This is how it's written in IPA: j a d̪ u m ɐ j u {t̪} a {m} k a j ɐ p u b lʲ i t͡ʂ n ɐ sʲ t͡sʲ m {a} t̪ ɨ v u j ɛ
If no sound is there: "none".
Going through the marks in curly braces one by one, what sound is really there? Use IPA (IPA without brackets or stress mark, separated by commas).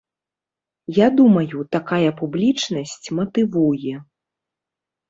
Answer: t̪, none, ɐ